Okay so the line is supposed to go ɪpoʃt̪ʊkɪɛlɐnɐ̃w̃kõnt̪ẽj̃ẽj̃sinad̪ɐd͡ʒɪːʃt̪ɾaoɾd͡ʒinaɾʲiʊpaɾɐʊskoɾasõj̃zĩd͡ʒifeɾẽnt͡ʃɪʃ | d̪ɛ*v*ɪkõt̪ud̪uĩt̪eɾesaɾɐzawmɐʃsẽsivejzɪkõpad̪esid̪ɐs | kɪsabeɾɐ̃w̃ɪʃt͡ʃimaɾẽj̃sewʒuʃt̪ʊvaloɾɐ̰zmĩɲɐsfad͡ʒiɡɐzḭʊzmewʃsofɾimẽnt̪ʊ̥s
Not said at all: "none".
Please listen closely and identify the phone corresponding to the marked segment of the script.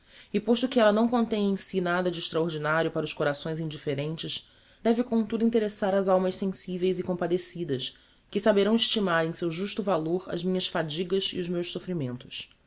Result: v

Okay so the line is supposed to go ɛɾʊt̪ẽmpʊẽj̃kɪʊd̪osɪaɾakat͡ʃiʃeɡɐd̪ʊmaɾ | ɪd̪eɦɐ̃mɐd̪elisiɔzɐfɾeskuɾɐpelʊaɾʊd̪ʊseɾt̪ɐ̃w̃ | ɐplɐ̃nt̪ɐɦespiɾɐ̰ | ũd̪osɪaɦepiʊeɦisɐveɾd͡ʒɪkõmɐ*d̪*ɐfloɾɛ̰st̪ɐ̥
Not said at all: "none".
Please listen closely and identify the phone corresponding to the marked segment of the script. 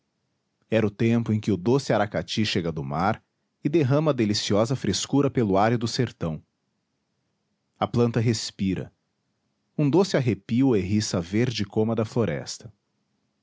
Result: d̪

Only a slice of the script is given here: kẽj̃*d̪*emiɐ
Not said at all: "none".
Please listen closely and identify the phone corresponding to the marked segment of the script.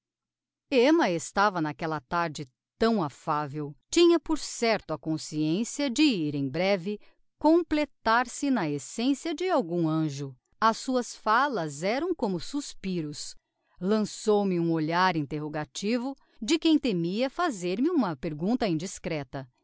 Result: t̪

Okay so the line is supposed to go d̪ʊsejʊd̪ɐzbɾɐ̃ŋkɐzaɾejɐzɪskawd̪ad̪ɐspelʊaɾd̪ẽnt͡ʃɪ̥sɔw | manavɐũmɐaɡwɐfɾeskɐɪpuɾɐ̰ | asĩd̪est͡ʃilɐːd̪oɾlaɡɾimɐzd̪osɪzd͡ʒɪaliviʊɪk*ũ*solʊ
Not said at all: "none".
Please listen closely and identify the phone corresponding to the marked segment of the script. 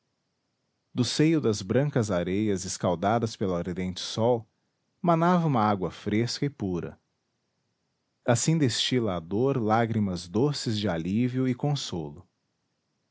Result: õ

